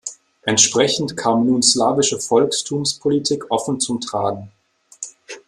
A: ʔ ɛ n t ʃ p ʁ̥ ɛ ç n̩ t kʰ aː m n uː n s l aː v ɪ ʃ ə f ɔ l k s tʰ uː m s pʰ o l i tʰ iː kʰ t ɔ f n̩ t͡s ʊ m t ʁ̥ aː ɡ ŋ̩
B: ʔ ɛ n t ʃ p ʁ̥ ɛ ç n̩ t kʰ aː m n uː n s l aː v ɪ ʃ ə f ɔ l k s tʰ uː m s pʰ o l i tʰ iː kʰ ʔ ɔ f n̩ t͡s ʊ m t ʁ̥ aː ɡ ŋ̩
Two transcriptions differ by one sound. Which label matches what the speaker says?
B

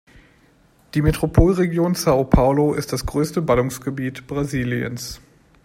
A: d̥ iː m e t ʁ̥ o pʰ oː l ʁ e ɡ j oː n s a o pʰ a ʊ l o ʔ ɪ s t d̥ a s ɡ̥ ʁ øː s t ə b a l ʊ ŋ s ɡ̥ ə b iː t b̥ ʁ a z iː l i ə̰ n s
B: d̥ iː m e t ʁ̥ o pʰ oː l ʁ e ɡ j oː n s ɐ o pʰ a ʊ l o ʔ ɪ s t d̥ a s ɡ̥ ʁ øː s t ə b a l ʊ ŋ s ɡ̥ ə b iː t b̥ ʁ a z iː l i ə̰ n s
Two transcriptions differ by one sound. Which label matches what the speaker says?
A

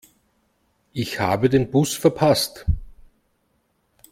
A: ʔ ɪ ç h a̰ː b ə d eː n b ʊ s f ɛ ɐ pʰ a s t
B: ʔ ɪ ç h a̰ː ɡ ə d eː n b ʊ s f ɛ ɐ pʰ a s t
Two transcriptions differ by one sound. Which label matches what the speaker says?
A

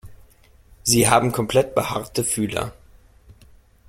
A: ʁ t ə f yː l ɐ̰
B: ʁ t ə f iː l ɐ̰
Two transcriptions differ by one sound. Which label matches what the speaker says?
A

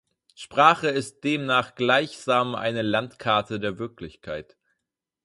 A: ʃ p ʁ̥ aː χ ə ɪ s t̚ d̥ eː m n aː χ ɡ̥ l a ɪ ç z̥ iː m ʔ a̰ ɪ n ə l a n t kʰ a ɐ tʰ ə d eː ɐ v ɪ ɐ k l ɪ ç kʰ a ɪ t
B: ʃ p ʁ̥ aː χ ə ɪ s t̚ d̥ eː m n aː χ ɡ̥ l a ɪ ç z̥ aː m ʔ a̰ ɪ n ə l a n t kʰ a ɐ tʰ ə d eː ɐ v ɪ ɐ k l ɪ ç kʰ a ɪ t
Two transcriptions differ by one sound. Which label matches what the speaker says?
B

